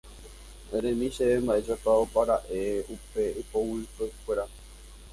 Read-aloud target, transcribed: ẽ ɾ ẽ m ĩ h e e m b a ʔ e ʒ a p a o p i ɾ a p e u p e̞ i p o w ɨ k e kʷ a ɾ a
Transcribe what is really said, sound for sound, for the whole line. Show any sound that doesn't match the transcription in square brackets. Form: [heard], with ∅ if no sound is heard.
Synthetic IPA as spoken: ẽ ɾ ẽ m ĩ [ʃ] e e m b a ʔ e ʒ a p a o p [a] ɾ a [ʔ] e u p e̞ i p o w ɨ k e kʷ [e] ɾ a